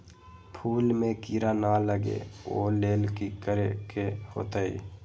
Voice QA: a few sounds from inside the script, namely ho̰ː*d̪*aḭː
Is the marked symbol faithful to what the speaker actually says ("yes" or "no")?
no